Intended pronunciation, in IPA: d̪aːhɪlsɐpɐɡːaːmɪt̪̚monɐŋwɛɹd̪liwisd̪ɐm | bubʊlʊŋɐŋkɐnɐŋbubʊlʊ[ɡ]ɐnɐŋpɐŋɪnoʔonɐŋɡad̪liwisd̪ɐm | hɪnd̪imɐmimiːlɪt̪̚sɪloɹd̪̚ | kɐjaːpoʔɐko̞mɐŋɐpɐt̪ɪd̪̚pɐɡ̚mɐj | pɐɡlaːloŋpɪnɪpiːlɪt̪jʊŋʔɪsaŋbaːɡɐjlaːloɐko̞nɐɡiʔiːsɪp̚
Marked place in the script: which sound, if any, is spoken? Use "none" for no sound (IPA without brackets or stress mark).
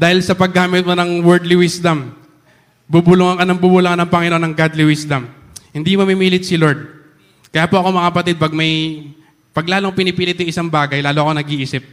ŋ